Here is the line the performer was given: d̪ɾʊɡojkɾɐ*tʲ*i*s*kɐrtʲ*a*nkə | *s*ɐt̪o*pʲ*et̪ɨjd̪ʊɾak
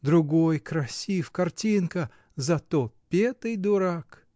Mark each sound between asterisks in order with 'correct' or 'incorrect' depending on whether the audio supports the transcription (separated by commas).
incorrect, incorrect, incorrect, incorrect, correct